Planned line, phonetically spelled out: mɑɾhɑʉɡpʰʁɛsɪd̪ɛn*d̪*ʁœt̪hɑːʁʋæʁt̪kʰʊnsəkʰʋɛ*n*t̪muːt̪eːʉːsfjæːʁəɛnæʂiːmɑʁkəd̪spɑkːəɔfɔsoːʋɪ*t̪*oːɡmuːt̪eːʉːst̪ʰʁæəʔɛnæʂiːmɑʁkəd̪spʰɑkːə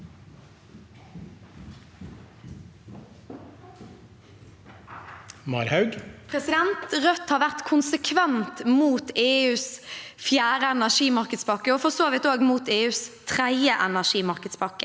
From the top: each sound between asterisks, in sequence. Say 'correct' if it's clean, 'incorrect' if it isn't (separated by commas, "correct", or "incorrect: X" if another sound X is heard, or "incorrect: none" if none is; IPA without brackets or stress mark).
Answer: incorrect: t̪, correct, correct